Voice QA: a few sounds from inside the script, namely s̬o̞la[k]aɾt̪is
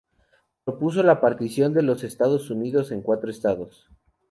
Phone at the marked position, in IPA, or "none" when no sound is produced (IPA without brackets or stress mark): p